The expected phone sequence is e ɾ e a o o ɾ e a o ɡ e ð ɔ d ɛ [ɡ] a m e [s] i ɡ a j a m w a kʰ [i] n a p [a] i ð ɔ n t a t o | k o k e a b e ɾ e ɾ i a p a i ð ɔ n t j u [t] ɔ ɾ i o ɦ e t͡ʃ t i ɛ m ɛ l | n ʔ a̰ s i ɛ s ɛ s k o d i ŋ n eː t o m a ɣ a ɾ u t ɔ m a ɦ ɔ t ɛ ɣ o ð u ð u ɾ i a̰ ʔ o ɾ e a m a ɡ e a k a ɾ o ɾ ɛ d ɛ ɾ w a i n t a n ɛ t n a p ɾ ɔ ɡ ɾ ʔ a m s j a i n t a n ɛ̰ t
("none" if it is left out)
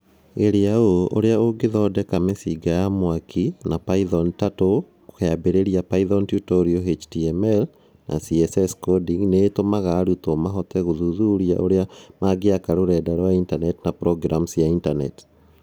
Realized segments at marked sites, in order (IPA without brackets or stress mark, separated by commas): k, s, i, a, t